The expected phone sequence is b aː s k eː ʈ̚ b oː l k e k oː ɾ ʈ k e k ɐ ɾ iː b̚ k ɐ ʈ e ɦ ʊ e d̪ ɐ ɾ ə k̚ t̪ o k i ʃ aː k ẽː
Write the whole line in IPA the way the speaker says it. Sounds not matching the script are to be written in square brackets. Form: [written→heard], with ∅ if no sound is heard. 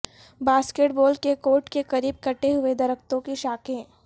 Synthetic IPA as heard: b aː s k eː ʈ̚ b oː l k e k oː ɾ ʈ k e k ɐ ɾ iː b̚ k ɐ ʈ e ɦ ʊ e d̪ ɐ ɾ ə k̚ t̪ [o→õ] k i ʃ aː k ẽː